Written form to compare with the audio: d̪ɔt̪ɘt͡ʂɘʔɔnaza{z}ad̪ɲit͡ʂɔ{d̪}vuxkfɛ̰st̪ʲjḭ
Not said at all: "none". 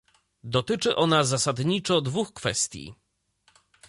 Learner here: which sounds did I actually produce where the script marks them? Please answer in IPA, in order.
s, d̪

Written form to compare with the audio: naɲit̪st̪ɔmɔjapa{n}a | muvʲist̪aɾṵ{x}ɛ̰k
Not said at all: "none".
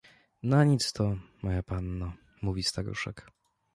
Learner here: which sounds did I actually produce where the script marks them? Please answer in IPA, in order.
nː, ʂ

